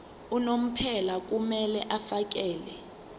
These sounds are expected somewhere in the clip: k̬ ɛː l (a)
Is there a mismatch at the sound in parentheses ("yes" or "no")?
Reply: yes